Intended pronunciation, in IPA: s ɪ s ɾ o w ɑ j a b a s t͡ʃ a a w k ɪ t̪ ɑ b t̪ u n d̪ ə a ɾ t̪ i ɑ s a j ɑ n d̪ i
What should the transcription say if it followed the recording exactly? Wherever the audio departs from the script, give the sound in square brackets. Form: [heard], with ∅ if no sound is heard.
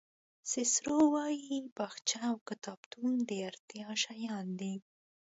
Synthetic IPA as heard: s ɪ s ɾ o w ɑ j [i] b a [x] t͡ʃ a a w k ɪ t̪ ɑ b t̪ u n d̪ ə a ɾ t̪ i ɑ [ʃ] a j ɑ n d̪ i